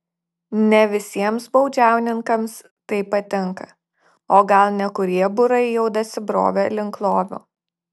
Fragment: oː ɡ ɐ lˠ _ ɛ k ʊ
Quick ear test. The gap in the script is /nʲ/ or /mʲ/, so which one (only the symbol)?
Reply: nʲ